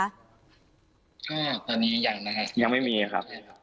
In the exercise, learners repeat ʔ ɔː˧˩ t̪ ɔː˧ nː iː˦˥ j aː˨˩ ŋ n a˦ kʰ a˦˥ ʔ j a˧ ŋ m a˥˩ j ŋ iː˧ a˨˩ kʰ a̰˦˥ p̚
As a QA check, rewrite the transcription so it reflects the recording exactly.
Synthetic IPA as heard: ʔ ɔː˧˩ t̪ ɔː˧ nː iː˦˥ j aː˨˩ ŋ n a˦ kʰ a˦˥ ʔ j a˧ ŋ m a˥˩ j m iː˧ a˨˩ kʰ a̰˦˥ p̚